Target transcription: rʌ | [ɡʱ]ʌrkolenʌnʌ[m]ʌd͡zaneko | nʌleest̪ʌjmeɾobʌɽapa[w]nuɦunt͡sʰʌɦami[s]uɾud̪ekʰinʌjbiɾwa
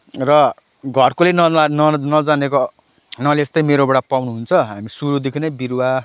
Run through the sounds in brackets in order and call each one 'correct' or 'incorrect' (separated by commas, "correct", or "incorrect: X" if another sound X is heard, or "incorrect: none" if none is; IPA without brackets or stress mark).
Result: correct, incorrect: n, correct, correct